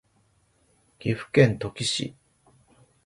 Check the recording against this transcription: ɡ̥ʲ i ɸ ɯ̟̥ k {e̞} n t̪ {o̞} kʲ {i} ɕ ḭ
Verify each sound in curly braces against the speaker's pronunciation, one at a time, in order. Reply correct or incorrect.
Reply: incorrect: ẽ̞, correct, correct

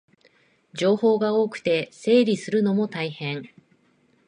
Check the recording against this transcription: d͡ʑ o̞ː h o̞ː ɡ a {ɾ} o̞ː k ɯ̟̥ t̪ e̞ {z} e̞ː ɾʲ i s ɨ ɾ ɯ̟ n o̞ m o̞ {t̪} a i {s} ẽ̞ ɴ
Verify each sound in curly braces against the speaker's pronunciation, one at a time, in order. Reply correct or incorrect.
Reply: incorrect: none, incorrect: s, correct, incorrect: h

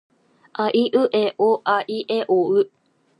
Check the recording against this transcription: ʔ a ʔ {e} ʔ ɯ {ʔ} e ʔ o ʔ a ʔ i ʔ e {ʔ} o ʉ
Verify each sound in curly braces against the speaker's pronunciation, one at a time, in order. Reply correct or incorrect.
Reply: incorrect: i, correct, correct

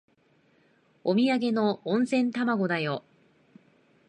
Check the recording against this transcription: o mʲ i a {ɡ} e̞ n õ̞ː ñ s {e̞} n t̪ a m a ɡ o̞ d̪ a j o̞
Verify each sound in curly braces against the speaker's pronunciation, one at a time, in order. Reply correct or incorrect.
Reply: correct, incorrect: ẽ̞

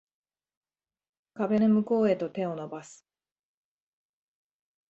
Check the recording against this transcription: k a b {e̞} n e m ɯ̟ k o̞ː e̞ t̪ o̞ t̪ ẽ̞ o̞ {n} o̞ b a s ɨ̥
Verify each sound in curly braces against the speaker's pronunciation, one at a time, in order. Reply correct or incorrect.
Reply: correct, correct

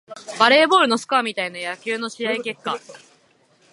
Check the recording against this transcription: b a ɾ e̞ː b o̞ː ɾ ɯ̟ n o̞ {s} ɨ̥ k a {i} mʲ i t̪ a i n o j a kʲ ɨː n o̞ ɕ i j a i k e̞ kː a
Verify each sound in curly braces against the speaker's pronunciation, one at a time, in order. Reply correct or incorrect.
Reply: correct, incorrect: a

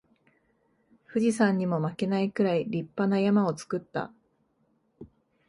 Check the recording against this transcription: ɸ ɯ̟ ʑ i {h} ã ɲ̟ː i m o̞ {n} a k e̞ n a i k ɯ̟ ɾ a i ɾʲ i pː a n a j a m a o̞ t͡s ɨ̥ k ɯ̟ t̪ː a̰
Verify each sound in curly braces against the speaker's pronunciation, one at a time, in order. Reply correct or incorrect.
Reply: incorrect: s, incorrect: m

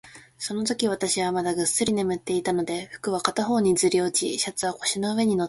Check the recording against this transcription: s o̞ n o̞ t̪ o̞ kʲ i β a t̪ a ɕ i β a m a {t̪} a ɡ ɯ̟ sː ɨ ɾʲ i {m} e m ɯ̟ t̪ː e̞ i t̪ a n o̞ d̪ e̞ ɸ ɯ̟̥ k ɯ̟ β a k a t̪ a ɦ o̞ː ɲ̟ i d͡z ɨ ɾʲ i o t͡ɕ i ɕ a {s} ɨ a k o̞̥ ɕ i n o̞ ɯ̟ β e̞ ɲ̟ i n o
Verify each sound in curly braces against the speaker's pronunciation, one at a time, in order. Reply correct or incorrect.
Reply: incorrect: d̪, incorrect: n, incorrect: t͡s

